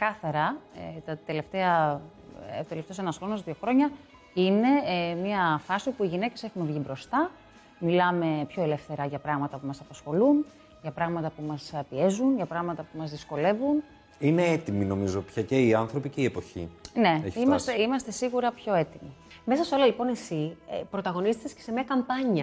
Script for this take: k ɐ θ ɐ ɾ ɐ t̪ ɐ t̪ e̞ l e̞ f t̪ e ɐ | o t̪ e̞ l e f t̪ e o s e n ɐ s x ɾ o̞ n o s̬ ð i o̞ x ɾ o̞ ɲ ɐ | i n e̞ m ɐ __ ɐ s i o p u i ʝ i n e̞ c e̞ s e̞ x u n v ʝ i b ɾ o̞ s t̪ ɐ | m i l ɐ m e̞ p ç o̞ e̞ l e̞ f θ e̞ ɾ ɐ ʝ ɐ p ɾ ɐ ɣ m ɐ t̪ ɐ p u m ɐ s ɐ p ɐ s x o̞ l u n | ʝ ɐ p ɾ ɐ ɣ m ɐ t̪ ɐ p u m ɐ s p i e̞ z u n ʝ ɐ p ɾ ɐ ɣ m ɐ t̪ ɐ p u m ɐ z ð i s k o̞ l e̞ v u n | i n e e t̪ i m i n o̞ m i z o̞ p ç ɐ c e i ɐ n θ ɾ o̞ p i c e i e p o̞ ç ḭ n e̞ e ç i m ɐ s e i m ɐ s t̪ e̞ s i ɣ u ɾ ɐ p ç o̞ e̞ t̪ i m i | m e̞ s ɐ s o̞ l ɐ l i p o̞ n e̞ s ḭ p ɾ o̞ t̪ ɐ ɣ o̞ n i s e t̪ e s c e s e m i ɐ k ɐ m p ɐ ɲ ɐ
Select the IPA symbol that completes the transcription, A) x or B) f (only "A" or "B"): B